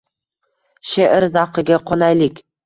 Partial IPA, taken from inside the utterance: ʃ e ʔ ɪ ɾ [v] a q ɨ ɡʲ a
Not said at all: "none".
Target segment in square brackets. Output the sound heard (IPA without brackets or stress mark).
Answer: z